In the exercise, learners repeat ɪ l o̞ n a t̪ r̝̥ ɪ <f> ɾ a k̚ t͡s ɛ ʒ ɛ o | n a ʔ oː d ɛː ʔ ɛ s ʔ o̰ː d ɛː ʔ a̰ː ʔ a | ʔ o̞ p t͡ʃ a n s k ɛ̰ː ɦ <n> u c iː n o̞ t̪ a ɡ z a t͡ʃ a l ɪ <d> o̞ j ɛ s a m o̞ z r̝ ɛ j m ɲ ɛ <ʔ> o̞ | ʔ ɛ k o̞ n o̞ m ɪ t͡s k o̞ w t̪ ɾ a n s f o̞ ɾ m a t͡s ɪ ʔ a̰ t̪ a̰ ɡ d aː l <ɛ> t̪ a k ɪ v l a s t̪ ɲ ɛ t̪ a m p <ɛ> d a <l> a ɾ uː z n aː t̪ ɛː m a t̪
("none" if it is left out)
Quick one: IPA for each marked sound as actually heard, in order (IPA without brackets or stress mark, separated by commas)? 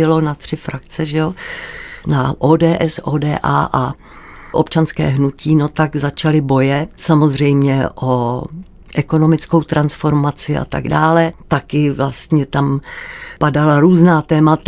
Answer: f, n, b, ʔ, ɛ, a, l